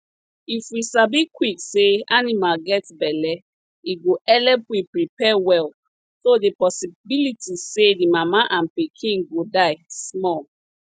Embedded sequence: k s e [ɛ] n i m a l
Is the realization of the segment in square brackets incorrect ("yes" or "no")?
yes